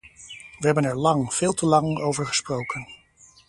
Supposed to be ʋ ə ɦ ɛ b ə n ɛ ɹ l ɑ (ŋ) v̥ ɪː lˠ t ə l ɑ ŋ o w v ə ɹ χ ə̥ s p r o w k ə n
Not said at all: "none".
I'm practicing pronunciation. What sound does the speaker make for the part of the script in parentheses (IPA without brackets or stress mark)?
ŋ